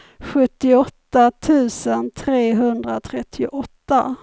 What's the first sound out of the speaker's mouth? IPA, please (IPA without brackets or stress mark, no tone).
ɧ